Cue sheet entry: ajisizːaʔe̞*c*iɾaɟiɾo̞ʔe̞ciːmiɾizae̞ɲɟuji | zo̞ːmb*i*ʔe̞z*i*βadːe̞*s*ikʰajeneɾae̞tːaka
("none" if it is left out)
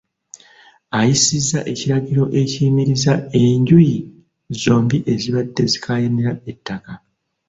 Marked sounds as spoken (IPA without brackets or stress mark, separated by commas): c, i, i, z